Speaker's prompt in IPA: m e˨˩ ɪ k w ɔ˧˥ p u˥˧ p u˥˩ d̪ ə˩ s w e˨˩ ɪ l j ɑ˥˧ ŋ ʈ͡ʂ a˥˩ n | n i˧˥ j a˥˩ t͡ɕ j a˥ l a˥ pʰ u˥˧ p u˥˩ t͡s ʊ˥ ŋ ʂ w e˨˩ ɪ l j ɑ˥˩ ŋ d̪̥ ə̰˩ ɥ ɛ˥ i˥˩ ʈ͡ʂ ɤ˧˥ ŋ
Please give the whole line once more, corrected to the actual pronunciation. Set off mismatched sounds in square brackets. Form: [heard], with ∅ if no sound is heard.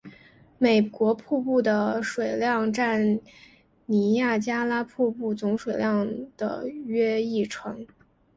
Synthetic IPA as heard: m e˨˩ ɪ k w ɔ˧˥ [pʰ] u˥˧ p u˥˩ d̪ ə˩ [ʂ] w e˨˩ ɪ l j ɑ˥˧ ŋ ʈ͡ʂ a˥˩ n | n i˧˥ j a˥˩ t͡ɕ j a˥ l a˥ pʰ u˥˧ p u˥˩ t͡s [ʊ˧˥] ŋ ʂ w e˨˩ ɪ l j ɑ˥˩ ŋ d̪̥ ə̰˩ ɥ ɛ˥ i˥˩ [ʈ͡ʂʰ] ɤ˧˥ ŋ

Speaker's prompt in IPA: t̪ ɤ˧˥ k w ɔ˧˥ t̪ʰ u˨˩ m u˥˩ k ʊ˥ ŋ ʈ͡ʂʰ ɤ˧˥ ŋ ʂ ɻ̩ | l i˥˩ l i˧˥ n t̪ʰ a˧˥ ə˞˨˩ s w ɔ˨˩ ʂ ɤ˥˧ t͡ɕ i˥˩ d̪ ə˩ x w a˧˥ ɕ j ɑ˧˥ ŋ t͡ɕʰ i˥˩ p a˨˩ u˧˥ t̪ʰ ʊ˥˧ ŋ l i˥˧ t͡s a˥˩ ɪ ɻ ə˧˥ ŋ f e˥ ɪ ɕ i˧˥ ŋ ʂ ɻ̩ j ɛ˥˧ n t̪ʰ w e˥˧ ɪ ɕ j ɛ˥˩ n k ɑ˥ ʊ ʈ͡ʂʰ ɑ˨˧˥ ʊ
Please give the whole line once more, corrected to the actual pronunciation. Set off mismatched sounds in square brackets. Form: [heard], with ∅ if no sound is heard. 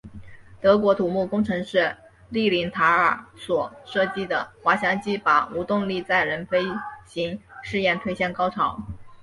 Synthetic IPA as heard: t̪ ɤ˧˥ k w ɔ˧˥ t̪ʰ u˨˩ m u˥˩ k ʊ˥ ŋ ʈ͡ʂʰ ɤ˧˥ ŋ ʂ ɻ̩ | l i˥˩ l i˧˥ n t̪ʰ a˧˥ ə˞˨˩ s w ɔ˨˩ ʂ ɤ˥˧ t͡ɕ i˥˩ d̪ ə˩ x w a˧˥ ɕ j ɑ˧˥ ŋ [t͡ɕ] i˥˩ p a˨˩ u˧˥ [t̪] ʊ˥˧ ŋ l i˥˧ t͡s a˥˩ ɪ ɻ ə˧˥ [n] f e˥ ɪ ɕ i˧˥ ŋ ʂ ɻ̩ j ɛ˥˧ n t̪ʰ w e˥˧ ɪ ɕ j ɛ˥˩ n k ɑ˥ ʊ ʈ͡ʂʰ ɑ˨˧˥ ʊ

